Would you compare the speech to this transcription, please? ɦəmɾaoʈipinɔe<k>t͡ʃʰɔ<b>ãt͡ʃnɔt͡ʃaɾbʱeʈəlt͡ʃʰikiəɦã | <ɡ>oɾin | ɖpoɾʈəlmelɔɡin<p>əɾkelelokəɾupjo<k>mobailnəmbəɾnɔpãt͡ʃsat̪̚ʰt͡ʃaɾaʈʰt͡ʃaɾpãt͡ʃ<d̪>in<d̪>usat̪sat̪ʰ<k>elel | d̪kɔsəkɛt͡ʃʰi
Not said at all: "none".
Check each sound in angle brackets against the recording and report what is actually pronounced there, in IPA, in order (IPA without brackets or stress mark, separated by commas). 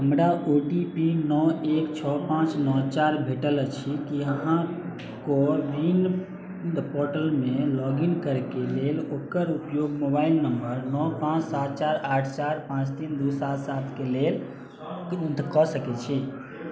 k, p, k, k, ɡ, t̪, d̪, k